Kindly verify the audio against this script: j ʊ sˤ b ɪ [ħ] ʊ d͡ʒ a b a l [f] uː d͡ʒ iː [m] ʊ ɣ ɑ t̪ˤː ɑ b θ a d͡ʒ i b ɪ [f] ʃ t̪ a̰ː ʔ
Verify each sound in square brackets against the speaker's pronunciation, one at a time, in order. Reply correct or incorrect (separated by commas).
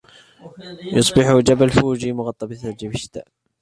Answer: correct, correct, correct, incorrect